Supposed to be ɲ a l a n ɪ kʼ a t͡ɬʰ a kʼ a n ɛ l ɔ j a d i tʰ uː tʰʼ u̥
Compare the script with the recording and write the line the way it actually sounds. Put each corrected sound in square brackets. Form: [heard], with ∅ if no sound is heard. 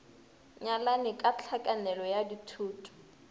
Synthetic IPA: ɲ a l a n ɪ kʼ a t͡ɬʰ a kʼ a n ɛ l ɔ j a d i tʰ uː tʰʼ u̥